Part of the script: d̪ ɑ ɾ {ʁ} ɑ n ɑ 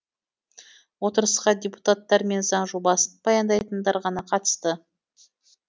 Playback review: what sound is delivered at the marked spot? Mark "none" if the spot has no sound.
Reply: ʁ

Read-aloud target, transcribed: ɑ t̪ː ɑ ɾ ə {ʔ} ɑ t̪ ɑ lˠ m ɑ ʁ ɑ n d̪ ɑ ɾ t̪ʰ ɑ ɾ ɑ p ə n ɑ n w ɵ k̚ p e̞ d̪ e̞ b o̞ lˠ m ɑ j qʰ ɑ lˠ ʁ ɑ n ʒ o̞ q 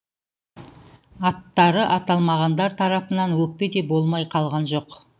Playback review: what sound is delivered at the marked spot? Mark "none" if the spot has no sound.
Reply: ʔ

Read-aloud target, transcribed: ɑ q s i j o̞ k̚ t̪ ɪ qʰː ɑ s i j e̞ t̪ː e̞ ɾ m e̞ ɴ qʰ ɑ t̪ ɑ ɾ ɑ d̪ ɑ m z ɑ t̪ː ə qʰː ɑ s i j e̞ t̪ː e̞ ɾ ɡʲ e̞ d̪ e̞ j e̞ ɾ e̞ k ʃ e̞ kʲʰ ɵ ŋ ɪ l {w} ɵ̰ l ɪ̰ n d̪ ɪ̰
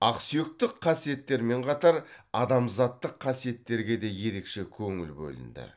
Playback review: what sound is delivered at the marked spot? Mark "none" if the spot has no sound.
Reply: b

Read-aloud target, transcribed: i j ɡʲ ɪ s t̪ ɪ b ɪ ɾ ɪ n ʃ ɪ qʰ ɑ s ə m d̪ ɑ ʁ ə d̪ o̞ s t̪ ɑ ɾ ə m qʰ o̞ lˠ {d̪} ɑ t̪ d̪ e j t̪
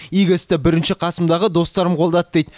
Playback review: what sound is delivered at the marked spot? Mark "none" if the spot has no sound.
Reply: d̪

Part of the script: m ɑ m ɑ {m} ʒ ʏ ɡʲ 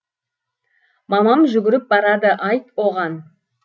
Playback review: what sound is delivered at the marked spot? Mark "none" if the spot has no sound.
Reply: m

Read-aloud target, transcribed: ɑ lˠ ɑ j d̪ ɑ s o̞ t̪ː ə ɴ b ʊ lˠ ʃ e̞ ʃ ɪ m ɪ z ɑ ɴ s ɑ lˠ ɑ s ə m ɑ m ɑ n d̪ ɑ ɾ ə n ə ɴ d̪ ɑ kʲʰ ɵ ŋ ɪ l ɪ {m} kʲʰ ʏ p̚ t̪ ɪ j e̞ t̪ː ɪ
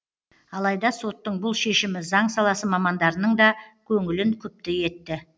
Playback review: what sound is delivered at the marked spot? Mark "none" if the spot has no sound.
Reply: ŋ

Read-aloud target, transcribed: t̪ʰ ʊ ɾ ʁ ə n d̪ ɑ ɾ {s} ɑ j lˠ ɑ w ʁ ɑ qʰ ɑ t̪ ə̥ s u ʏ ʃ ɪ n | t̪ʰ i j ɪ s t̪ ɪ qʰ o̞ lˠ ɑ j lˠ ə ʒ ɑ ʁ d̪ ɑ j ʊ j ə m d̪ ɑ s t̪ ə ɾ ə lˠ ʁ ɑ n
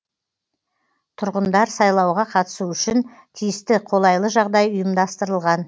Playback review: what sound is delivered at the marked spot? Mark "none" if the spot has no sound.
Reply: s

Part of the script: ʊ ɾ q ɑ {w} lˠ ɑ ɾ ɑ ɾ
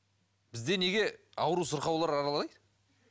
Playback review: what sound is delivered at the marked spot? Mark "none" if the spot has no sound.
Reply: w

